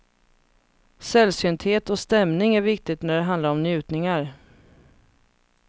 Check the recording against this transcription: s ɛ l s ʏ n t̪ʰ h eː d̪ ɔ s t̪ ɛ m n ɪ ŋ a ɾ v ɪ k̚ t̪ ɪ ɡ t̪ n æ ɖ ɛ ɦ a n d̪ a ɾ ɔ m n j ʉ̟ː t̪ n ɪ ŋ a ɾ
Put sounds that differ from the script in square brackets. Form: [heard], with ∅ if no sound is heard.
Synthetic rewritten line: s ɛ l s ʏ n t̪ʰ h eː [t̪] ɔ s t̪ ɛ m n ɪ ŋ [æ] ɾ v ɪ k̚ t̪ ɪ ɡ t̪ n æ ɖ ɛ ɦ a n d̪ a ɾ ɔ m n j ʉ̟ː t̪ n ɪ ŋ a ɾ